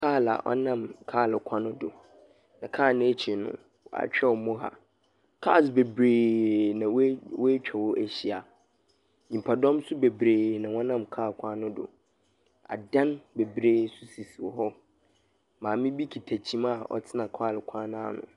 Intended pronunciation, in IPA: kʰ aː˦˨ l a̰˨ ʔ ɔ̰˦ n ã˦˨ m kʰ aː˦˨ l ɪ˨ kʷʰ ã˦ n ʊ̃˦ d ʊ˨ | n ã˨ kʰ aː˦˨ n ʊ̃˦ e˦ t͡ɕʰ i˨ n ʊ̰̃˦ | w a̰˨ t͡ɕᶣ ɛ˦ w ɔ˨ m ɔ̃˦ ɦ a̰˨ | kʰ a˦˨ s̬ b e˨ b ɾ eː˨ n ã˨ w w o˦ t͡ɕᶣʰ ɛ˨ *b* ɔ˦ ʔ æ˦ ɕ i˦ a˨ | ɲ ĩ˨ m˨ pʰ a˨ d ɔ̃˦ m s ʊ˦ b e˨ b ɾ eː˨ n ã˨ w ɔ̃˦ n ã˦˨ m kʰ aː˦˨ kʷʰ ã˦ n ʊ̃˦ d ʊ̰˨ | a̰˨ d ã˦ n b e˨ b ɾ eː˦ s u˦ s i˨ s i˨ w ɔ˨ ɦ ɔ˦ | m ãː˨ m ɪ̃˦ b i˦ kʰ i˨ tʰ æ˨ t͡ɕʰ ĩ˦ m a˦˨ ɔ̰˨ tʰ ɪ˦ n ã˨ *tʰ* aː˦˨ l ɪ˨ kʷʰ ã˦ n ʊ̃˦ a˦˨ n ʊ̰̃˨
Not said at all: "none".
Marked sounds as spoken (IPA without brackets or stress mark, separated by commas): w, kʰ